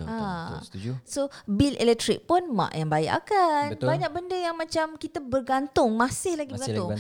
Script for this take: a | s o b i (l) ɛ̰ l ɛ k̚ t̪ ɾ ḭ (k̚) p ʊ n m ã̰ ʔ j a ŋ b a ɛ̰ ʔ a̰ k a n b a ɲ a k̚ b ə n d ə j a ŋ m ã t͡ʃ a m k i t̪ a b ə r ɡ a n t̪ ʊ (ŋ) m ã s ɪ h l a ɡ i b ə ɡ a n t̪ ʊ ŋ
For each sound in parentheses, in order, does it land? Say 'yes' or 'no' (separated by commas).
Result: yes, yes, yes